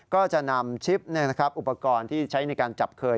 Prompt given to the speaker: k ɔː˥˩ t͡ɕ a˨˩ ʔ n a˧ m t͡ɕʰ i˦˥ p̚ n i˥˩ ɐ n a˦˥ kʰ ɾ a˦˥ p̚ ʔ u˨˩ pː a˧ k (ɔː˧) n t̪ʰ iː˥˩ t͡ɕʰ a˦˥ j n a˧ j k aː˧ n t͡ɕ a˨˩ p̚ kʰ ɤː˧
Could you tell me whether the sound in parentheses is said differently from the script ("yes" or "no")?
no